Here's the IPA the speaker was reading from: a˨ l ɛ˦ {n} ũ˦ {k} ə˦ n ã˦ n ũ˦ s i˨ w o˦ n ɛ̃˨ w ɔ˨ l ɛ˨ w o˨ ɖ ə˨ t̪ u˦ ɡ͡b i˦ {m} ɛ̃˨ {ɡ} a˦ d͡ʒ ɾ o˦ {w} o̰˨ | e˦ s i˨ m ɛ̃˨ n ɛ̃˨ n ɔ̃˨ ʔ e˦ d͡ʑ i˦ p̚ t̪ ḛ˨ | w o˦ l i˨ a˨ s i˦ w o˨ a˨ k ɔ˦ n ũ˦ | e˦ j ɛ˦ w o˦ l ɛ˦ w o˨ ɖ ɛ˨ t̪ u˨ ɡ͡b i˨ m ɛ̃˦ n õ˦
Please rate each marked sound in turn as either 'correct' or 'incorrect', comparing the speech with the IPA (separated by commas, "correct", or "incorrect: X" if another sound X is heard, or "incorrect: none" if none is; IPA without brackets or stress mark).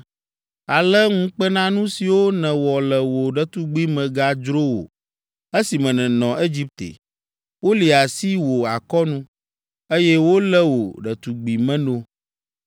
incorrect: ŋ, incorrect: k͡p, correct, correct, correct